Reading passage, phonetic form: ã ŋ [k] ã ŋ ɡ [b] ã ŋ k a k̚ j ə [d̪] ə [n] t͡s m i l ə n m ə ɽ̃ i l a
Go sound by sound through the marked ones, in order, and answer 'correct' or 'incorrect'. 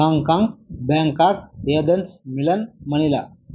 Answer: correct, correct, correct, correct

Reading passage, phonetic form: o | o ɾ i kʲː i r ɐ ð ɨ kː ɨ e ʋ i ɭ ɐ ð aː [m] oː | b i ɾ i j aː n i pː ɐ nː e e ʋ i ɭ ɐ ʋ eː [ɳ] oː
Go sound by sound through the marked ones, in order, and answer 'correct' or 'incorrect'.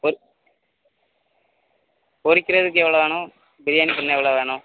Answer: incorrect, correct

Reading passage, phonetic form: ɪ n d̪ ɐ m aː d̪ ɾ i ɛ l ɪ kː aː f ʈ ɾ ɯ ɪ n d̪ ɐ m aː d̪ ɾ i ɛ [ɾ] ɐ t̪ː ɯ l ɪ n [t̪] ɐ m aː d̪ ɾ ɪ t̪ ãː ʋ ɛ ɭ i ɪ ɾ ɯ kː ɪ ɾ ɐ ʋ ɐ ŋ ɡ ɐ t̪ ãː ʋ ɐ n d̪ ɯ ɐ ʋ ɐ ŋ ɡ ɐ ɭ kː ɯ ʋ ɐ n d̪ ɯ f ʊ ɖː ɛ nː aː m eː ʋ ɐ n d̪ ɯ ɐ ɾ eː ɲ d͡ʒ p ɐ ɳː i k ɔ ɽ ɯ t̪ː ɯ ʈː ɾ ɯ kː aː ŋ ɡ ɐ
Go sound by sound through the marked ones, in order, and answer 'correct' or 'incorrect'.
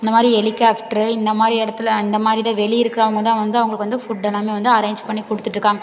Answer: incorrect, incorrect

